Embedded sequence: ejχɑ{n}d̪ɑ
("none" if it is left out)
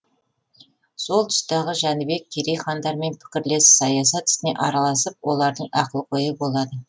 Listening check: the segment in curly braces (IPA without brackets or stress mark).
n